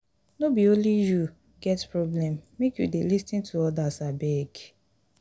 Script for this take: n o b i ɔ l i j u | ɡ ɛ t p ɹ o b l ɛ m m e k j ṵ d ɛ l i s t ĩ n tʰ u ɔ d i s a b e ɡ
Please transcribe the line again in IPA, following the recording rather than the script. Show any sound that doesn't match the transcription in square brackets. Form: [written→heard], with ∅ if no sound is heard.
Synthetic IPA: n o b i [ɔ→o] l i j u | ɡ ɛ t p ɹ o b l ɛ m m e k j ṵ d [ɛ→e] l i s t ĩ n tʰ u ɔ d [i→a] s a b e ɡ